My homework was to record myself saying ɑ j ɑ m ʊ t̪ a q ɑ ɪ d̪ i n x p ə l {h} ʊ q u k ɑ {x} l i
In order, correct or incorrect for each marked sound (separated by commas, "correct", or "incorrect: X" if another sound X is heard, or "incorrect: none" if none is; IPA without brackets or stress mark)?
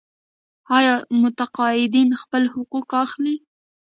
correct, correct